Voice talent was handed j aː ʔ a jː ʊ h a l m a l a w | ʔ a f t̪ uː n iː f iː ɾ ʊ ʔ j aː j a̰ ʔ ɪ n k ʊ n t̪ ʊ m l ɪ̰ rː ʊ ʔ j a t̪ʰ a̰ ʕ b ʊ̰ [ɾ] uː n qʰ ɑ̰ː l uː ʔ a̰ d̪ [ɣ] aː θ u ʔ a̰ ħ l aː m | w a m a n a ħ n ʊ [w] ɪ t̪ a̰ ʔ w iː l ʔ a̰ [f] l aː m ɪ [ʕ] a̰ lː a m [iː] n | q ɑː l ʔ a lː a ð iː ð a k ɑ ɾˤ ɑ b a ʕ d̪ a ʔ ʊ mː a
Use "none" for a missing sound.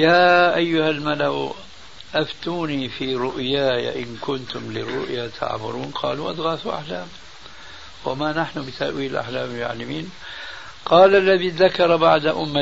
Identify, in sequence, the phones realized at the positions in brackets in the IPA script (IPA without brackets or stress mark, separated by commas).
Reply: ɾ, ɣ, b, ħ, ʕ, iː